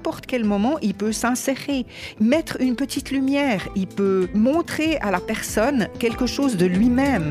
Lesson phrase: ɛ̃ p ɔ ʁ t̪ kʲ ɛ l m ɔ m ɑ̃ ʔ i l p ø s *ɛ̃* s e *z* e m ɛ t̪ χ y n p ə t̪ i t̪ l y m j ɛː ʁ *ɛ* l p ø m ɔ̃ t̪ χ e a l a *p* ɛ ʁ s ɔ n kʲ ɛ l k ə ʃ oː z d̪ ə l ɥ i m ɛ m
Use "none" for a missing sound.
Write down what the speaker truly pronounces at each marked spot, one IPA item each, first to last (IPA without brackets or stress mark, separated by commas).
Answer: ɛ̃, ʁ, i, p